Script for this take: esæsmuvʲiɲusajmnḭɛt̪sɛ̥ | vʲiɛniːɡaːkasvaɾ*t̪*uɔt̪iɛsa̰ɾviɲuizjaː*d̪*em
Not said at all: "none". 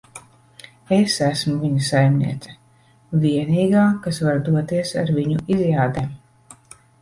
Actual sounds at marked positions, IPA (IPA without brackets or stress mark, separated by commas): d̪, d̪